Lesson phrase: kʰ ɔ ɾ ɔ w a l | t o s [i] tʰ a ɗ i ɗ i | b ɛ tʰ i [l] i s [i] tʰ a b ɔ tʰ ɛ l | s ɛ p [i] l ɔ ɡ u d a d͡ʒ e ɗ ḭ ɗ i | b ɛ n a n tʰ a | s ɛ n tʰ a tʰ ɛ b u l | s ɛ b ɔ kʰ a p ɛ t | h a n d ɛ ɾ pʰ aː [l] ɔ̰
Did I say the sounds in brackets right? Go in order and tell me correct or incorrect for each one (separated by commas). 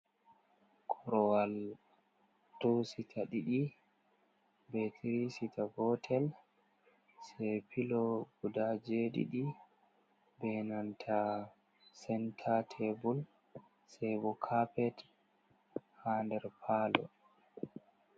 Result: correct, incorrect, correct, correct, correct